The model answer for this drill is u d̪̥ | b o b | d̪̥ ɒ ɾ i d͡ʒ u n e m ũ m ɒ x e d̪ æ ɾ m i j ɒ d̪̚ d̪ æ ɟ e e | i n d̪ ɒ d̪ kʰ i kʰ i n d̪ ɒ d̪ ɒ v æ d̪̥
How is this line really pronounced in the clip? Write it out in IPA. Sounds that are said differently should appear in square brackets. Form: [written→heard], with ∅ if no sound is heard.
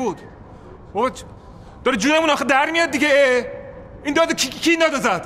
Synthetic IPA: u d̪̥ | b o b | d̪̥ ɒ ɾ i d͡ʒ u n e m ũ [m→n] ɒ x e d̪ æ ɾ m i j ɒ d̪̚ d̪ [æ→i] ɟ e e | i n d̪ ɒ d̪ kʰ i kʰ i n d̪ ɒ d̪ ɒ [v→z] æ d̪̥

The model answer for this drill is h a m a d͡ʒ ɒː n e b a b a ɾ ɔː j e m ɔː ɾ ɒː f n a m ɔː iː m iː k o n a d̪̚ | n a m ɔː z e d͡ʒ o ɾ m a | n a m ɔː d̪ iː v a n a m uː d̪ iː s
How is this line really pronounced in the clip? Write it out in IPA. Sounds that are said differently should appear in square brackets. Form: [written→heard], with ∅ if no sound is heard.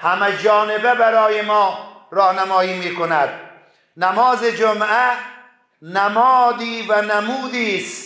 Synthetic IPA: h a m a d͡ʒ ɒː n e b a b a ɾ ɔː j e m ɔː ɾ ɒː [f→h] n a m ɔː iː m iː k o n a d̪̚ | n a m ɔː z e d͡ʒ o [ɾ→∅] m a | n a m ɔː d̪ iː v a n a m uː d̪ iː s

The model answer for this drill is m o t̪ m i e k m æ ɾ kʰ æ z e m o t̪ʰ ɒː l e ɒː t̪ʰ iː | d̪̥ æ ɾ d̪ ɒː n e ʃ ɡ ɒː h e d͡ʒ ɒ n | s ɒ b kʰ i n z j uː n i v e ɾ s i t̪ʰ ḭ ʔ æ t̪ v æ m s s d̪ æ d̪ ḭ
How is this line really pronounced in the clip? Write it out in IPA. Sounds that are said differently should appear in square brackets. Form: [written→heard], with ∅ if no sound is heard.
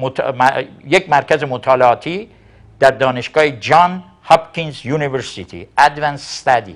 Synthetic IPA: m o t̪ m [i→j] e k m æ ɾ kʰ æ z e m o t̪ʰ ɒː l e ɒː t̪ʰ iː | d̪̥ æ ɾ d̪ ɒː n e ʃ ɡ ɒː h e d͡ʒ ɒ n | [s→h] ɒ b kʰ i n z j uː n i v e ɾ s i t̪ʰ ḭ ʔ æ [t̪→d̪] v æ [m→n] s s [d̪→t̪] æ d̪ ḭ

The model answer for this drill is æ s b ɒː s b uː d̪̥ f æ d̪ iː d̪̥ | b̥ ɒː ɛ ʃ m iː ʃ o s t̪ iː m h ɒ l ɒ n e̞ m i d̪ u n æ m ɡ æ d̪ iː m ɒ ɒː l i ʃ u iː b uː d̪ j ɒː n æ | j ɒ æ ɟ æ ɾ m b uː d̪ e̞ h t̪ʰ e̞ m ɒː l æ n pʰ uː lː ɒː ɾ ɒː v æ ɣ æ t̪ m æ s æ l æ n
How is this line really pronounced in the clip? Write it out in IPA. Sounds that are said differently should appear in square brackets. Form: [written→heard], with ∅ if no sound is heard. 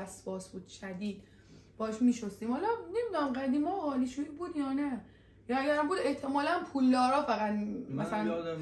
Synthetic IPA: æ s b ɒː s b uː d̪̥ [f→ʃ] æ d̪ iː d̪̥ | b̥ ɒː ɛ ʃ m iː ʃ o s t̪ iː m h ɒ l ɒ n e̞ m i d̪ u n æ m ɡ æ d̪ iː m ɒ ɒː l i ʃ u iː b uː d̪ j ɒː n æ | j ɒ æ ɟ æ ɾ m b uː d̪ e̞ h t̪ʰ e̞ m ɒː l æ n pʰ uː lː ɒː ɾ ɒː [v→f] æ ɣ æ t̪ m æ s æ l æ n

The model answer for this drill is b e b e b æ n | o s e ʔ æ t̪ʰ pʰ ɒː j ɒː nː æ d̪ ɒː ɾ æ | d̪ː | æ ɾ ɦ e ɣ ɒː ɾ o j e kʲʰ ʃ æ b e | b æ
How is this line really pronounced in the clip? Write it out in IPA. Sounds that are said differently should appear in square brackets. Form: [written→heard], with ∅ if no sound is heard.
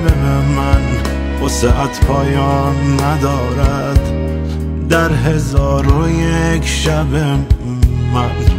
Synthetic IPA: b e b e [b→m] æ n | o s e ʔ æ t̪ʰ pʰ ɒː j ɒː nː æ d̪ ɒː ɾ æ | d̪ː | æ ɾ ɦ e [ɣ→z] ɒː ɾ o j e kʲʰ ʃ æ b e | [b→m] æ

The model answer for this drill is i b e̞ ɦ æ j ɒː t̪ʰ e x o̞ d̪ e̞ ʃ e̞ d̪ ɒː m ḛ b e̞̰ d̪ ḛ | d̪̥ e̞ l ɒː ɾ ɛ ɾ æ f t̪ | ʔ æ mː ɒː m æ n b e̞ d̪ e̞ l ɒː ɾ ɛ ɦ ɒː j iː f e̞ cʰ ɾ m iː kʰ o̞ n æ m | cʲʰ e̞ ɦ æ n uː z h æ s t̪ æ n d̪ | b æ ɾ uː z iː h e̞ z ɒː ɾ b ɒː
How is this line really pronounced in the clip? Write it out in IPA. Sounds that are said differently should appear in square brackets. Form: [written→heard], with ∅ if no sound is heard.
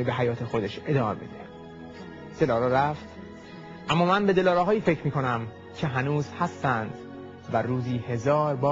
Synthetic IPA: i b e̞ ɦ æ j ɒː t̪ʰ e x o̞ d̪ e̞ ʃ e̞ d̪ ɒː m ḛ b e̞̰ d̪ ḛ | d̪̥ e̞ l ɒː ɾ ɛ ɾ æ f t̪ | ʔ æ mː ɒː m æ n b e̞ d̪ e̞ l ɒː ɾ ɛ ɦ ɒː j iː f e̞ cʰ ɾ m iː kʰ o̞ n æ m | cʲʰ e̞ ɦ æ n uː z h æ s t̪ æ n d̪ | [b→v] æ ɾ uː z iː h e̞ z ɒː ɾ b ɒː

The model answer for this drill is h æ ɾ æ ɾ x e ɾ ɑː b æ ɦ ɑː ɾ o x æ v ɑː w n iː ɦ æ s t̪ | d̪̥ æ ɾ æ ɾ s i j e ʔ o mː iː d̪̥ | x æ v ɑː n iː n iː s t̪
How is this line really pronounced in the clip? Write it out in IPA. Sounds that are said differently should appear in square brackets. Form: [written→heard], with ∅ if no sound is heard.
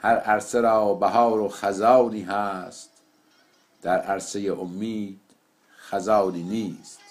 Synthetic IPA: h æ ɾ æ ɾ [x→s] e ɾ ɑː b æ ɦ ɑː ɾ o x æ [v→z] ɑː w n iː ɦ æ s t̪ | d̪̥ æ ɾ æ ɾ s [i→e] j e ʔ o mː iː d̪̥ | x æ [v→z] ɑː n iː n iː s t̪

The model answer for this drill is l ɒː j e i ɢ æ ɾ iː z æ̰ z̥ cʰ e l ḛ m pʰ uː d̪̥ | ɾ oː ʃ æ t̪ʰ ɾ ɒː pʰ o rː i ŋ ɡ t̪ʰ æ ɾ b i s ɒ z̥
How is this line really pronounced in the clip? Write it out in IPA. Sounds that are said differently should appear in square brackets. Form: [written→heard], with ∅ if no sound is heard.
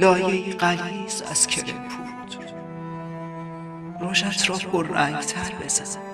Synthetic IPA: l ɒː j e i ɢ æ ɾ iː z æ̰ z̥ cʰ e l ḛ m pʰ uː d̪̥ | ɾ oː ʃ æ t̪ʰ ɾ ɒː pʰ o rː [i→æ] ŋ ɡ t̪ʰ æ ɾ b [i→e] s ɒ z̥

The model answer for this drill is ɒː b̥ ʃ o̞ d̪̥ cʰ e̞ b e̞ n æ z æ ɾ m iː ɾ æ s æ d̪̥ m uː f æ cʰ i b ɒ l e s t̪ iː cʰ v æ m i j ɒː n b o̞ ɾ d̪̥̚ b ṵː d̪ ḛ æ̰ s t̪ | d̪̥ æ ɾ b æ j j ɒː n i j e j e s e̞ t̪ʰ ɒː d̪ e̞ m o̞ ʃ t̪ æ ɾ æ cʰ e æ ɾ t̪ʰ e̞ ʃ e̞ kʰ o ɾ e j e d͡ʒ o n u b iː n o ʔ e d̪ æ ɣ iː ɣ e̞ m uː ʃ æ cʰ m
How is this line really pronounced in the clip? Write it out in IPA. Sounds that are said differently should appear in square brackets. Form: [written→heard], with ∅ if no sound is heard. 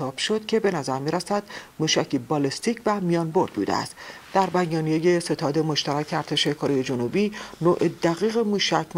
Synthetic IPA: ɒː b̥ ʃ o̞ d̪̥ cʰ e̞ b e̞ n æ z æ ɾ m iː ɾ æ s æ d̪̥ m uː [f→ʃ] æ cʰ i b ɒ l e s t̪ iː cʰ v æ m i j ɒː n b o̞ ɾ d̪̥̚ b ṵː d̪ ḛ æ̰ s t̪ | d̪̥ æ ɾ b æ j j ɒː n i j e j e s e̞ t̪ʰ ɒː d̪ e̞ m o̞ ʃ t̪ æ ɾ æ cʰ e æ ɾ t̪ʰ e̞ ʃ e̞ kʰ o ɾ e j e d͡ʒ o n u b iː n o ʔ e d̪ æ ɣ iː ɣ e̞ m uː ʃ æ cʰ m

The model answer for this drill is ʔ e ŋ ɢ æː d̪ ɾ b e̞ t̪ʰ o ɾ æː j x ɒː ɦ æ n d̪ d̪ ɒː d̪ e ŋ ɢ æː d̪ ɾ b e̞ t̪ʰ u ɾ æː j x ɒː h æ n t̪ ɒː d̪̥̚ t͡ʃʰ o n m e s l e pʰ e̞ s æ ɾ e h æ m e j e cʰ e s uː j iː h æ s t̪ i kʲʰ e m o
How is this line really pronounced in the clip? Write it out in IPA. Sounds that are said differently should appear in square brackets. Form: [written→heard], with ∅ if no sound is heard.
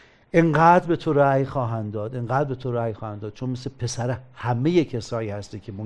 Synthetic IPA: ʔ e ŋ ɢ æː d̪ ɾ b e̞ t̪ʰ o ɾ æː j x ɒː ɦ æ n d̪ d̪ ɒː d̪ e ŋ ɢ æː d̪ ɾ b e̞ t̪ʰ [u→o] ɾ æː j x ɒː h æ n [t̪→d̪] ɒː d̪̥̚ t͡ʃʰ o n m e s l e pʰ e̞ s æ ɾ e h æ m e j e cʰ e s [uː→ɒː] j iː h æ s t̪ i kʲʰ e m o

